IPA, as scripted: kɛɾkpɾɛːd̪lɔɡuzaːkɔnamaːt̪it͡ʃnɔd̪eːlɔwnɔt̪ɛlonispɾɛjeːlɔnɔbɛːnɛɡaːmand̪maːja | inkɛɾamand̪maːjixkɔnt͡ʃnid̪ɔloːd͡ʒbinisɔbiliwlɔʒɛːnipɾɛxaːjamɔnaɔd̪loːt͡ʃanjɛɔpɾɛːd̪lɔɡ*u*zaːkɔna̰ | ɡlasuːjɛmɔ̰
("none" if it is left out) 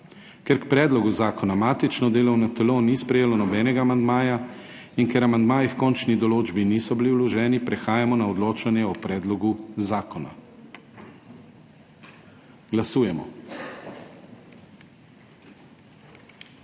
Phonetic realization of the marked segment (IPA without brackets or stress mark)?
u